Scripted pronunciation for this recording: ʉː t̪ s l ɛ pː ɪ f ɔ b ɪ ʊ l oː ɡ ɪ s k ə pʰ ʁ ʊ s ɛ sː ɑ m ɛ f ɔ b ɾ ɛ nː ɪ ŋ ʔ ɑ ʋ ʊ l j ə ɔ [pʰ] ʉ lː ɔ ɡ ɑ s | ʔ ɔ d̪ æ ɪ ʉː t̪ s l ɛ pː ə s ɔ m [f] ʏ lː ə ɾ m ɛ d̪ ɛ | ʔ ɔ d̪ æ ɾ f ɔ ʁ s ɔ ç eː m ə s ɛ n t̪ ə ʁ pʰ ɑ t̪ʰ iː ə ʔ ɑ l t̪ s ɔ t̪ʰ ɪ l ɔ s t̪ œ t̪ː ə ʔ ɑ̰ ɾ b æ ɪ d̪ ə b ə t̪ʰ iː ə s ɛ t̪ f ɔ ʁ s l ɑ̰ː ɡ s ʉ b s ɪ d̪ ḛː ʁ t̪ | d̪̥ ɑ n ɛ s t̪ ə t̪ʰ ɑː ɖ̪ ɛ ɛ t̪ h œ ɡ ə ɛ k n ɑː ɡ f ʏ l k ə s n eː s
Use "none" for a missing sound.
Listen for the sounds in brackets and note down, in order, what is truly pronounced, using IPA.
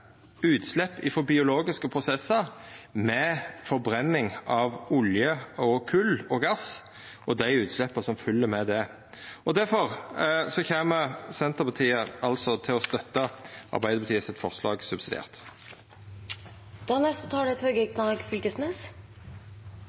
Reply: kʰ, f

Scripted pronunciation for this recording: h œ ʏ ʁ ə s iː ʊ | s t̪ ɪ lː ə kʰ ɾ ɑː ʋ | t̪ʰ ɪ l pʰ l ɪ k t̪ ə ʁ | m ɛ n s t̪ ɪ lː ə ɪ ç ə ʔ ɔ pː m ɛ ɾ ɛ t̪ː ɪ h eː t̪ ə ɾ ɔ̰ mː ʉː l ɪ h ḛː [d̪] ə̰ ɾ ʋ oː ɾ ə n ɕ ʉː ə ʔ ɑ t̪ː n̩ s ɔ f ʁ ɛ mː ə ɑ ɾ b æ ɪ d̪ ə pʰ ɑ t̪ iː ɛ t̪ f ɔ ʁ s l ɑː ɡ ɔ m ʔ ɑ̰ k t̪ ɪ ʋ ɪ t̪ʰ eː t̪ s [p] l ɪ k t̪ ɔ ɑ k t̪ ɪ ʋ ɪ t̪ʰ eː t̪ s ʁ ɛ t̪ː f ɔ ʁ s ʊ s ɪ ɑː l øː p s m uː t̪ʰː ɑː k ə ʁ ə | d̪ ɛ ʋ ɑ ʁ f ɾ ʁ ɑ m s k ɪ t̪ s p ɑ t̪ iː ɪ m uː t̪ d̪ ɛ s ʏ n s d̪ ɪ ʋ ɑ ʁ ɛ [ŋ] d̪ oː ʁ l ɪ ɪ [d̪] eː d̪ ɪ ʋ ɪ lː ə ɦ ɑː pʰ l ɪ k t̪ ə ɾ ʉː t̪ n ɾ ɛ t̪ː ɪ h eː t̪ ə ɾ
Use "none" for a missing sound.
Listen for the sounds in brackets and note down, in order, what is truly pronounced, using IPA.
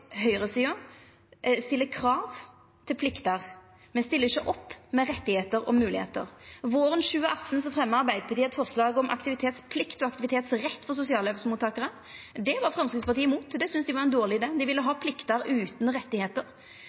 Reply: t̪, pʰ, n, d̪

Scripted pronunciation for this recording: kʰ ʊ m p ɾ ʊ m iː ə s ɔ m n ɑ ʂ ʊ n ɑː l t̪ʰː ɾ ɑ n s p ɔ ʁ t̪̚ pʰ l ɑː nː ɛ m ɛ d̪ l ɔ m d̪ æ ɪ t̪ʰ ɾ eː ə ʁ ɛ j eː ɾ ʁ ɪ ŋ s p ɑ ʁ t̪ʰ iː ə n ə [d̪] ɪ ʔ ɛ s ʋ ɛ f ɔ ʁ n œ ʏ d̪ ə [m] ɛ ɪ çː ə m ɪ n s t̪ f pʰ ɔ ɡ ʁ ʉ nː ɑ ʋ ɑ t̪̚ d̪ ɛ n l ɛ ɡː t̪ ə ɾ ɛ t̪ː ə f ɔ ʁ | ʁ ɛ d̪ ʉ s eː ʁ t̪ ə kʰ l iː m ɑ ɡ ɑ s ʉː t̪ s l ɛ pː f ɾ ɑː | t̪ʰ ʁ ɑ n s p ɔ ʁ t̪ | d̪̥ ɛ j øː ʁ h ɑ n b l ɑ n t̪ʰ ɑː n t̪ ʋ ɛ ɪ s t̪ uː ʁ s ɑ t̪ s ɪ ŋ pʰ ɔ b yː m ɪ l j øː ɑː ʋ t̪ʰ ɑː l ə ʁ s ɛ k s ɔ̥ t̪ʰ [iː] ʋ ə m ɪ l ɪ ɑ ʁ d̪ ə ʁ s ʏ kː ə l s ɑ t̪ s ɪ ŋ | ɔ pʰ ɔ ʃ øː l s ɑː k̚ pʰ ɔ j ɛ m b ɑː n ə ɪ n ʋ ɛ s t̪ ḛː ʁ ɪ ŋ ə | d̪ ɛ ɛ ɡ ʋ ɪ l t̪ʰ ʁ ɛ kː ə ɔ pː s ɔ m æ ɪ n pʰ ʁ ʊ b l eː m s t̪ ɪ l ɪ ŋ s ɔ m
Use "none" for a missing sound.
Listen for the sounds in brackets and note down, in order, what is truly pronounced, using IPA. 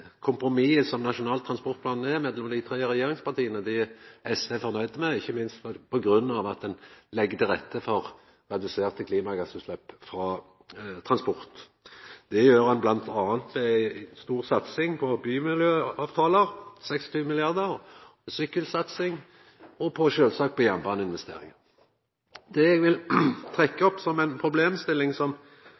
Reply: d̪, m, yː

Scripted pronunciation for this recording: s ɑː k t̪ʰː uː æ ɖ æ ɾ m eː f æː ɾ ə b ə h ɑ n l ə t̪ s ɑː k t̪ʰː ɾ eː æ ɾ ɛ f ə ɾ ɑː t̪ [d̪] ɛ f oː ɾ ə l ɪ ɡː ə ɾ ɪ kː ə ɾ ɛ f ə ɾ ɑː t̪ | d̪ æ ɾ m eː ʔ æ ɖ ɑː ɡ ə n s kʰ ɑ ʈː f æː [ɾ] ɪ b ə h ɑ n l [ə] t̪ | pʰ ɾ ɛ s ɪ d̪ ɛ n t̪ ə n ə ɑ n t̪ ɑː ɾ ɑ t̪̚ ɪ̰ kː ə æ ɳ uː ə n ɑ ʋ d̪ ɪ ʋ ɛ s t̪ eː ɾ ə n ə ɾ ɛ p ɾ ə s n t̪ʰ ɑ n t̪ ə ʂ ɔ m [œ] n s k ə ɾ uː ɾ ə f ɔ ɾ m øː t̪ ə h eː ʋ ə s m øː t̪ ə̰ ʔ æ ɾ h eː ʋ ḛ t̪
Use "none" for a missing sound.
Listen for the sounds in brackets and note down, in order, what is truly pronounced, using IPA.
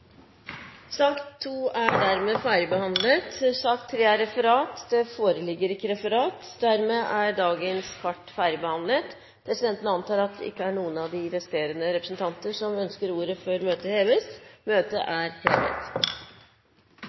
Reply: d̪, ɾ, ə, œ

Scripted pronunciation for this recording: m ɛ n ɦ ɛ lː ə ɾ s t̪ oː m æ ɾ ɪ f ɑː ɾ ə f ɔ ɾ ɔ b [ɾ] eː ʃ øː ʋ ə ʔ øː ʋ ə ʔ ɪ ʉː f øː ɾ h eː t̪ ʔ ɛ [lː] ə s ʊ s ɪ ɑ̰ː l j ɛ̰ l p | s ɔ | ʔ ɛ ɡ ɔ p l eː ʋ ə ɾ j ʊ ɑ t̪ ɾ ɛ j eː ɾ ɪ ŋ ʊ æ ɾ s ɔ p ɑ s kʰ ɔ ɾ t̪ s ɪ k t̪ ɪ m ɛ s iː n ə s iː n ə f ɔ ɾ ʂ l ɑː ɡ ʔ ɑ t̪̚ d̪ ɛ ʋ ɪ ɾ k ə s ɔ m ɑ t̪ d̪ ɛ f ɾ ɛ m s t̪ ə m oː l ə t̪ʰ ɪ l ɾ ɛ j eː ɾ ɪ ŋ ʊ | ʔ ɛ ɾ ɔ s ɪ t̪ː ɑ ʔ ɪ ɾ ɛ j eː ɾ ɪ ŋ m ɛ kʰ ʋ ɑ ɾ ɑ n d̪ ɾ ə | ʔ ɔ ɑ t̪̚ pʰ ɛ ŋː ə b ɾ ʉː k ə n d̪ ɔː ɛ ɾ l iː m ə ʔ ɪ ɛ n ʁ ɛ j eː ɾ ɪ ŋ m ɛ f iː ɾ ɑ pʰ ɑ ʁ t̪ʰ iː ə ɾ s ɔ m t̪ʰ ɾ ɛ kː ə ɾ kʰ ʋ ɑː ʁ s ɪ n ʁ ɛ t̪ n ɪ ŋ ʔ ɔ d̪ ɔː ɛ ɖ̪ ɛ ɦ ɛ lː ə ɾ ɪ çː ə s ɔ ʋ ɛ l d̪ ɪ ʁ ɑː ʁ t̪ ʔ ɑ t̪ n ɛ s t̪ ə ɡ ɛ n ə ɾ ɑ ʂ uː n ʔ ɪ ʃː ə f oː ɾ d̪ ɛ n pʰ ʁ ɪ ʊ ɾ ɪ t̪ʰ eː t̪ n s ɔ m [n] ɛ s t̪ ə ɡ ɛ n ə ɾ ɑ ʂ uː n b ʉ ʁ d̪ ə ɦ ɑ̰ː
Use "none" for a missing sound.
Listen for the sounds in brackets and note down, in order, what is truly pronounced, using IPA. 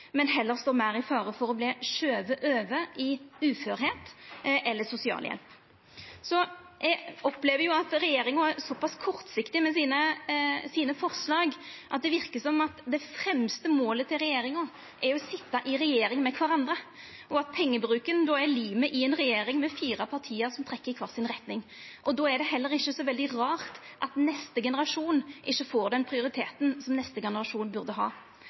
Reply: l, lː, n

